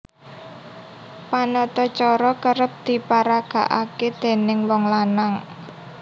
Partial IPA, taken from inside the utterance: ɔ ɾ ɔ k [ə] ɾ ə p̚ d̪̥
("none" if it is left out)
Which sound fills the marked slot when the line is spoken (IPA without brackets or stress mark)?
ə